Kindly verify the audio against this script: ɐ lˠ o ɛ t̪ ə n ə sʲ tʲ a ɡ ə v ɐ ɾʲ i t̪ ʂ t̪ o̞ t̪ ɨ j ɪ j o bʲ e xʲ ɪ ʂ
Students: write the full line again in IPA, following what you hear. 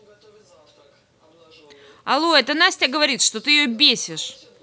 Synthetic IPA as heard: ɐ lˠ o ɛ t̪ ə n a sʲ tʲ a ɡ ə v ɐ ɾʲ i t̪ ʂ t̪ o̞ t̪ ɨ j ɪ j o bʲ e sʲ ɪ ʂ